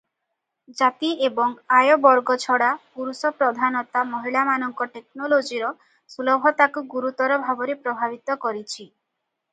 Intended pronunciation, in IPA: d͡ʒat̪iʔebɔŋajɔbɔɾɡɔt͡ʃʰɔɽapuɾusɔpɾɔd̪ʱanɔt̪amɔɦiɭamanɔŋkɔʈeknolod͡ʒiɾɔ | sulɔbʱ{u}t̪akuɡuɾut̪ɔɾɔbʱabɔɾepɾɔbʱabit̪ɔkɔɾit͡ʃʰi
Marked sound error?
yes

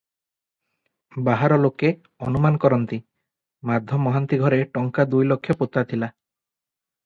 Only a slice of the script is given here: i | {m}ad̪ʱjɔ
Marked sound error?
no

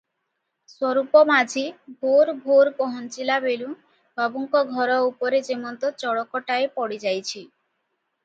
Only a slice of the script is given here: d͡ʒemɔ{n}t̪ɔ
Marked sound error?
no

